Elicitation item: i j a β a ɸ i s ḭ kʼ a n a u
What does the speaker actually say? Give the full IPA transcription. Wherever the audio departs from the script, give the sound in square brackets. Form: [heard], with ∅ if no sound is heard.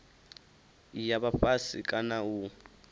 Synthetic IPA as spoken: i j a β a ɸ [a] s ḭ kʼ a n a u